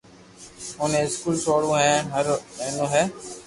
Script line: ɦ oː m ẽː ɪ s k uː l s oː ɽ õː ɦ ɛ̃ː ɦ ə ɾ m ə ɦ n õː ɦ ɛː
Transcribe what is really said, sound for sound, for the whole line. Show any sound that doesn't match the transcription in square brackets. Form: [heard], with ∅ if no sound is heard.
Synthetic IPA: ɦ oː [n] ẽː ɪ s k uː l s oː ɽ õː ɦ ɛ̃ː ɦ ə ɾ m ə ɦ n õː ɦ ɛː